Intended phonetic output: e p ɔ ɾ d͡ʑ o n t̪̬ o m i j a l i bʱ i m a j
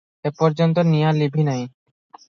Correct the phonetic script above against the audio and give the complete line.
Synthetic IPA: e p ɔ ɾ d͡ʑ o n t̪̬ o n i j a l i bʱ i n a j

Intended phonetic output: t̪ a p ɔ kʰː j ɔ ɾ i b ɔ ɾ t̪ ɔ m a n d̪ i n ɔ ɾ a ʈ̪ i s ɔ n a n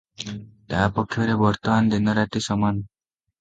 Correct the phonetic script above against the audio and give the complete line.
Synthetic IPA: t̪ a p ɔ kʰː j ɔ ɾ e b ɔ ɾ t̪ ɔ m a n d̪ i n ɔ ɾ a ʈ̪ i s ɔ m a n

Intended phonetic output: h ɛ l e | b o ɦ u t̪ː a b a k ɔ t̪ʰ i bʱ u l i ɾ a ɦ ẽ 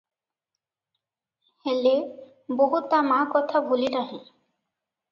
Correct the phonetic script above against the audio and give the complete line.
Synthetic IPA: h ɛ l e | b o ɦ u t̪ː a m a k ɔ t̪ʰ a bʱ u l i ɾ a ɦ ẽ

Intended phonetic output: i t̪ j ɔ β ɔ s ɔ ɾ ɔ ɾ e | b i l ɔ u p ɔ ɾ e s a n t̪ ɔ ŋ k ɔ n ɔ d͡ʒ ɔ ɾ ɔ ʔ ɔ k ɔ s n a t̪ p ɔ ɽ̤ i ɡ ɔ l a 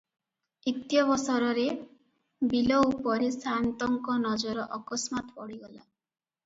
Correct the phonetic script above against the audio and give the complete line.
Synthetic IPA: i t̪ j ɔ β ɔ s ɔ ɾ ɔ ɾ e | b i l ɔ u p ɔ ɾ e s a n t̪ ɔ ŋ k ɔ n ɔ d͡ʒ ɔ ɾ ɔ ʔ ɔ k ɔ s m a t̪ p ɔ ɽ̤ i ɡ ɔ l a

